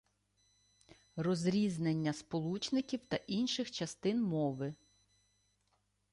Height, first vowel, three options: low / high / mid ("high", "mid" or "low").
mid